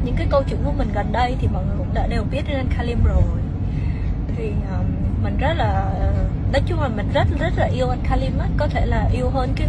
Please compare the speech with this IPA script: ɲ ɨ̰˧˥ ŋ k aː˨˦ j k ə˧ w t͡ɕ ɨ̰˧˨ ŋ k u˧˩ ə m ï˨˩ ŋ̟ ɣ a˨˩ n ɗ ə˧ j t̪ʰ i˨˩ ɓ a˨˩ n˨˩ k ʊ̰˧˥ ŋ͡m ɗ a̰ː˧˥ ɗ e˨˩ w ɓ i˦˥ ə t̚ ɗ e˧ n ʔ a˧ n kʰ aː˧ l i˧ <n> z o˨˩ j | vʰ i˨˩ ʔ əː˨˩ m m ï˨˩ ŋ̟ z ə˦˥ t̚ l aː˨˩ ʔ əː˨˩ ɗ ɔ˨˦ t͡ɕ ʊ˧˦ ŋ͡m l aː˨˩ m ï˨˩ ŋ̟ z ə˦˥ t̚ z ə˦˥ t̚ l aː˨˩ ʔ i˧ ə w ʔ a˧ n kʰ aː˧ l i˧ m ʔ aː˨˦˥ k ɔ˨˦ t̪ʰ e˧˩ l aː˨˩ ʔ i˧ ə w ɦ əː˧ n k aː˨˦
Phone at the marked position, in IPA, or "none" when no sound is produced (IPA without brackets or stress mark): m